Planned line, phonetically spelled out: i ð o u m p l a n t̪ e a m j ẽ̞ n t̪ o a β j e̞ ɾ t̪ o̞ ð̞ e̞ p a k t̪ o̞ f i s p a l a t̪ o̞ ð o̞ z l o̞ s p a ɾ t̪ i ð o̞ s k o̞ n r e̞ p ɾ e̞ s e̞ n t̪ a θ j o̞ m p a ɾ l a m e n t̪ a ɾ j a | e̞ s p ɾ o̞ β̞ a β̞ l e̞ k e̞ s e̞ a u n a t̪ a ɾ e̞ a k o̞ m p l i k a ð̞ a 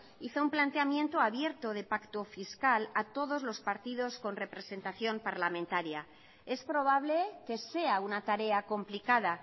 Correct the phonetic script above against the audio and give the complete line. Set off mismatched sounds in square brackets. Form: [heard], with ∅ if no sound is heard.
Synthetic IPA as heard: i [θ] o u m p l a n t̪ e a m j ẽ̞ n t̪ o a β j e̞ ɾ t̪ o̞ ð̞ e̞ p a k t̪ o̞ f i s [k] a l a t̪ o̞ ð o̞ z l o̞ s p a ɾ t̪ i ð o̞ s k o̞ n r e̞ p ɾ e̞ s e̞ n t̪ a θ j o̞ m p a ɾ l a m [ẽ] n t̪ a ɾ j a | e̞ s p ɾ o̞ β̞ a β̞ l e̞ k e̞ s e̞ a u n a t̪ a ɾ e̞ a k o̞ m p l i k a ð̞ a